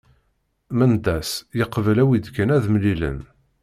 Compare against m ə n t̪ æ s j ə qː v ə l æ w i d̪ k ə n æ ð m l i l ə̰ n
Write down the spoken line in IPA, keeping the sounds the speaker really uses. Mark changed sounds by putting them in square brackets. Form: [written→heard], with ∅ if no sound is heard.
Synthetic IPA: m ə n [t̪→d̪] æ s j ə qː v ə l æ w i d̪ k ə n æ ð m l i l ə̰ n

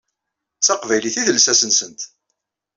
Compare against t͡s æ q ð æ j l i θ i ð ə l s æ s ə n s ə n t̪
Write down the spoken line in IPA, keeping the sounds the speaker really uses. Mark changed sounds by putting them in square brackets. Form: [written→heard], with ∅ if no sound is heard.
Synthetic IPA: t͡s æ q [ð→v] æ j l i θ i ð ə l s æ s ə n s ə n t̪

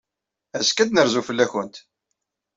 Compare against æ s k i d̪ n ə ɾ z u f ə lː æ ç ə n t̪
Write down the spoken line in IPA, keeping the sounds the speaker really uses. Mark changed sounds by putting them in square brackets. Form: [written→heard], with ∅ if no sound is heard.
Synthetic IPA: æ s k [i→æ] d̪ n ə ɾ z u f ə lː æ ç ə n t̪

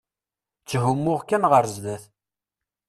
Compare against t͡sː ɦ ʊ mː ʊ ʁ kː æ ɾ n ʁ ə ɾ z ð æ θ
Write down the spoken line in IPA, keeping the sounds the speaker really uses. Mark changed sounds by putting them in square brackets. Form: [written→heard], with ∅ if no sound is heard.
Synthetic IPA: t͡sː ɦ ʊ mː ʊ ʁ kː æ [ɾ→∅] n ʁ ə ɾ z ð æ θ

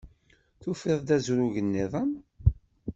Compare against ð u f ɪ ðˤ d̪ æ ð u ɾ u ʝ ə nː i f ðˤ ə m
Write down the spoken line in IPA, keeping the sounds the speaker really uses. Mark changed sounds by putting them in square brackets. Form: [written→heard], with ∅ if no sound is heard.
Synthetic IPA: [ð→θ] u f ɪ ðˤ d̪ æ [ð→z] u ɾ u ʝ ə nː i [f→∅] ðˤ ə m

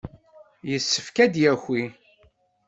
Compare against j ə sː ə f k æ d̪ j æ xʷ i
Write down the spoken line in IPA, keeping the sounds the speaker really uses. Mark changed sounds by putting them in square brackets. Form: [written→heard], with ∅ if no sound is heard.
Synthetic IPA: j ə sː ə f k æ d̪ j æ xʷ i

